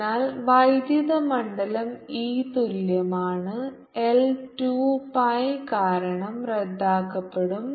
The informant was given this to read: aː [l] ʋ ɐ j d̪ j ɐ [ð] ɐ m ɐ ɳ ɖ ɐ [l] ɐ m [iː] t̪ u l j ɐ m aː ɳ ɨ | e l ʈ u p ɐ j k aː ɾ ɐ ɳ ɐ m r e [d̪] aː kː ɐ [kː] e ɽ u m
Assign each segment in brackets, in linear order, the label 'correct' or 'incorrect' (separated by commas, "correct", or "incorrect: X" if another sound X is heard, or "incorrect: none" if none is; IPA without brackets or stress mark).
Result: correct, correct, correct, correct, incorrect: d̪ː, incorrect: pː